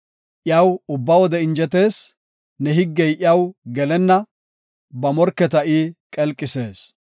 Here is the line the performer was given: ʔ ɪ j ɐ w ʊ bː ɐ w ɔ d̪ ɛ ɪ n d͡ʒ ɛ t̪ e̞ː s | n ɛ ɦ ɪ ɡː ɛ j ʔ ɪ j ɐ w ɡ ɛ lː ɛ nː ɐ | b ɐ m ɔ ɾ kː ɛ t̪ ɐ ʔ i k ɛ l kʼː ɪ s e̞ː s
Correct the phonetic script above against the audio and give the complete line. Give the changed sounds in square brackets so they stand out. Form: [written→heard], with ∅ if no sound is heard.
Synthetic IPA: ʔ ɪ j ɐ w ʊ bː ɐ w ɔ d̪ ɛ ɪ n d͡ʒ ɛ t̪ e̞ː s | n ɛ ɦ ɪ ɡː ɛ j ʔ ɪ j ɐ w ɡ ɛ [lː→l] ɛ nː ɐ | b ɐ m ɔ ɾ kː ɛ t̪ ɐ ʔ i [k→kʼ] ɛ l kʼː ɪ s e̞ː s